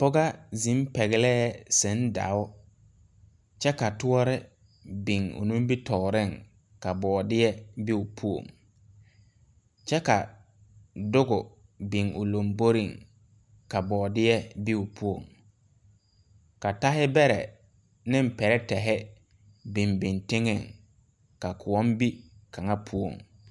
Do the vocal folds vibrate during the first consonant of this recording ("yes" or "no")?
no